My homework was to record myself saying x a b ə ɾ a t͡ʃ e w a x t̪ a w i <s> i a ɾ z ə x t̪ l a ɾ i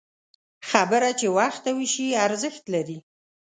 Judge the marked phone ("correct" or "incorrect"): incorrect